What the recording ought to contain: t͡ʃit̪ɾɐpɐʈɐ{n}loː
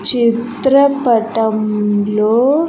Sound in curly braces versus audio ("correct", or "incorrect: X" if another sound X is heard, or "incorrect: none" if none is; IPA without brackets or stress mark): incorrect: m